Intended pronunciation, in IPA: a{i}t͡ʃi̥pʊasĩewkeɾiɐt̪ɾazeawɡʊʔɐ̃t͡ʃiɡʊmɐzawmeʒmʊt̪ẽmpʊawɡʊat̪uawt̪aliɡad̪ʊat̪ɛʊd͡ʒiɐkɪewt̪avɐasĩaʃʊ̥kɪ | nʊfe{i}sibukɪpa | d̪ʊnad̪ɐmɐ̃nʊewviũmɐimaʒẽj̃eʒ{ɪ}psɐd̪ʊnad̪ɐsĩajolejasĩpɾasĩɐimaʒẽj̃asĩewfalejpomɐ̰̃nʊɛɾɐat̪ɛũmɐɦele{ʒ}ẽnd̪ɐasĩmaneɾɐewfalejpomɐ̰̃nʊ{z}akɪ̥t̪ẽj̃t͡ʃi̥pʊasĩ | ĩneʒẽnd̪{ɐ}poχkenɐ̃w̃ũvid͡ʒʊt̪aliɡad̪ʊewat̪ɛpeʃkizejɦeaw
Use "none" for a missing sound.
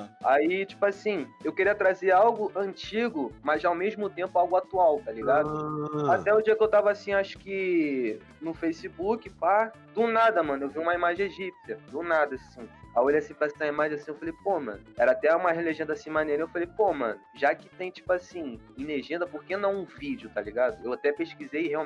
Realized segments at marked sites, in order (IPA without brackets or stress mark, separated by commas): i, j, i, ʒ, ʒ, ɐ